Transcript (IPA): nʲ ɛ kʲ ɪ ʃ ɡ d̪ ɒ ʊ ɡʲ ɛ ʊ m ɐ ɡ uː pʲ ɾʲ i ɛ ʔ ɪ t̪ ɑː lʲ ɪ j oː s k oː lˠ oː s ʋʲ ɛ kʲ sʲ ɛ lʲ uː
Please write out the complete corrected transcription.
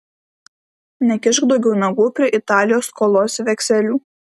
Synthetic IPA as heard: nʲ ɛ kʲ ɪ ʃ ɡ d̪ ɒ ʊ ɡʲ ɛ ʊ n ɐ ɡ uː pʲ ɾʲ i ɛ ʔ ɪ t̪ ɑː lʲ ɪ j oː s k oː lˠ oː s ʋʲ ɛ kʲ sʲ ɛ lʲ uː